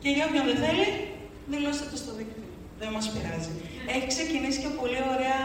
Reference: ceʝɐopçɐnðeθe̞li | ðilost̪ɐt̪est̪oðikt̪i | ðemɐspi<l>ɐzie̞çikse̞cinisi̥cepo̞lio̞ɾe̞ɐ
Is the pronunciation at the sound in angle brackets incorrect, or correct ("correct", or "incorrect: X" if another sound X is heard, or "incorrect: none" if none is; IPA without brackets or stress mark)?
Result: incorrect: ɾ